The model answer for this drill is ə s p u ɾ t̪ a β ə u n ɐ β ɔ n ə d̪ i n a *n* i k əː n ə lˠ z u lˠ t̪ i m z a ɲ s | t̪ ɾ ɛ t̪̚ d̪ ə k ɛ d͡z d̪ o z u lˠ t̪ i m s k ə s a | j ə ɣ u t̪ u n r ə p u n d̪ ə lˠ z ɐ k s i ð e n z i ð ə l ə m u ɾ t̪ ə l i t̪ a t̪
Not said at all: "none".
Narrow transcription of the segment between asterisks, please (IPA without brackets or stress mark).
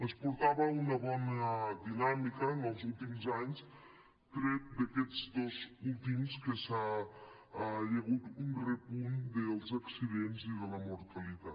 m